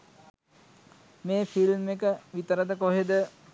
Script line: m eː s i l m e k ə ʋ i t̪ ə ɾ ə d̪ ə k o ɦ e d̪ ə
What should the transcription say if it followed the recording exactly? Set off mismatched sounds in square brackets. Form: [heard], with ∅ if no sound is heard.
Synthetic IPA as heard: m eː [f] i l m e k ə ʋ i t̪ ə ɾ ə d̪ ə k o ɦ e d̪ ə